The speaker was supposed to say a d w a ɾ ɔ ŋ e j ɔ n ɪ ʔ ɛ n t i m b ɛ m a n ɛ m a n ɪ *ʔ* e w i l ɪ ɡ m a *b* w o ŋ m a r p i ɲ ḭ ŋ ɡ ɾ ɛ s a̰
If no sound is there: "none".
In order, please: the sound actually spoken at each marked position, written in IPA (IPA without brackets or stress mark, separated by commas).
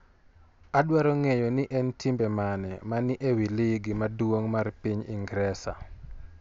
ʔ, d